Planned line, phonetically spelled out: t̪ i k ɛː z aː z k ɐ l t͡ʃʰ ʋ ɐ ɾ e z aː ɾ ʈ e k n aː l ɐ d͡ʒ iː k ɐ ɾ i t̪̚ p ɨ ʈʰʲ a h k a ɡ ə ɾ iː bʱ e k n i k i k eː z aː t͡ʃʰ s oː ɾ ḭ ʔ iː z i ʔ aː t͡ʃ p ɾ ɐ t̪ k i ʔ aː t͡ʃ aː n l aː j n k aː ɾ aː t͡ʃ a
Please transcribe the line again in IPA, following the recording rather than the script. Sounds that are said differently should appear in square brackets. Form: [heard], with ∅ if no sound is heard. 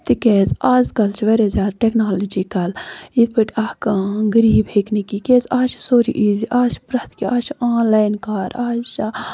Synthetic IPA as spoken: t̪ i k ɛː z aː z k ɐ l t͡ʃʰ ʋ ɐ ɾ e z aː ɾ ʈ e k n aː l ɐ d͡ʒ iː k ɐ [l] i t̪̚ p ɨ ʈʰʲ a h k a ɡ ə ɾ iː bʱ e k n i k i k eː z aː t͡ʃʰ s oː ɾ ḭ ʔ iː z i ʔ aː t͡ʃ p ɾ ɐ t̪ k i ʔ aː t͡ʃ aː n l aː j n k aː ɾ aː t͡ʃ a